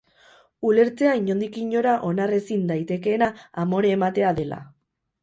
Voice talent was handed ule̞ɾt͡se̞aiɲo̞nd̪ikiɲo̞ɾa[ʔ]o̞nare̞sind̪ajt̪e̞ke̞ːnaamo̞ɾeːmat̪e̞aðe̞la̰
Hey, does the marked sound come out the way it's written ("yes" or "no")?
yes